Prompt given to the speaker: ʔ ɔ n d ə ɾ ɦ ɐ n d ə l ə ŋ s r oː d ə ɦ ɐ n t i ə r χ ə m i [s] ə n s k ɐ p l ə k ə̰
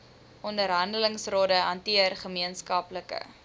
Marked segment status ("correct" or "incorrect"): incorrect